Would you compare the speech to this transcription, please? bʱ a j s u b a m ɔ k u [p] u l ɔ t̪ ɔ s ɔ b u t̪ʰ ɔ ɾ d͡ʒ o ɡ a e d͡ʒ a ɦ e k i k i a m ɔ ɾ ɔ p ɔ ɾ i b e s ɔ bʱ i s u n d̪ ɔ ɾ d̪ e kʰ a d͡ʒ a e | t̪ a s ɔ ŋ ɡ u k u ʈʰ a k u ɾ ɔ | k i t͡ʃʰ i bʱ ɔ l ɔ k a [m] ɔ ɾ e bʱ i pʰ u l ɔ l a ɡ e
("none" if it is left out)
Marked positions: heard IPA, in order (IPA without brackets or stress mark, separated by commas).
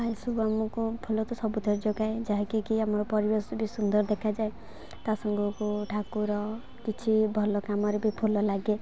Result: pʰ, m